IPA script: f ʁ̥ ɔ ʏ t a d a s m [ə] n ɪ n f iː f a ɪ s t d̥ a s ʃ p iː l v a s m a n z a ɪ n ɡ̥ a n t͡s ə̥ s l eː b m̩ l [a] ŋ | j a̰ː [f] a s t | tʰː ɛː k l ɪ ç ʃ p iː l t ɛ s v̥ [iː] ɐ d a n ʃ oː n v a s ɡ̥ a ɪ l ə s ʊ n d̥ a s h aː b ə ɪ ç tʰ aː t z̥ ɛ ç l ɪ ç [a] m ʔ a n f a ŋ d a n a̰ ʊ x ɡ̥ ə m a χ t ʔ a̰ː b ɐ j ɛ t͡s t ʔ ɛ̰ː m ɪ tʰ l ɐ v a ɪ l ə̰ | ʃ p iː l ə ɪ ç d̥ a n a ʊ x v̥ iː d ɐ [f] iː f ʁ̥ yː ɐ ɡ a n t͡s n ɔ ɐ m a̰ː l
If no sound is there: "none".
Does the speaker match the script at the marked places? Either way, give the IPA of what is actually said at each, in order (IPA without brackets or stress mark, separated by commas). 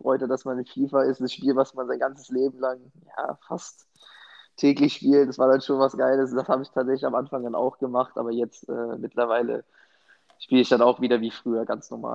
a, a, f, aː, a, v